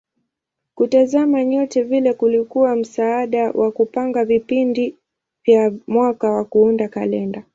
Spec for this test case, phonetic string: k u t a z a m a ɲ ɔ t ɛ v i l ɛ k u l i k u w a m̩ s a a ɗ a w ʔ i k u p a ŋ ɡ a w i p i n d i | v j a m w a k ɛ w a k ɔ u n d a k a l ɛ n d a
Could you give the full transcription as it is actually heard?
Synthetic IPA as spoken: k u t a z a m a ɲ ɔ t ɛ v i l ɛ k u l i k u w a m̩ s a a ɗ a w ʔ a k u p a ŋ ɡ a v i p i n d i | v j a m w a k a w a k u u n d a k a l ɛ n d a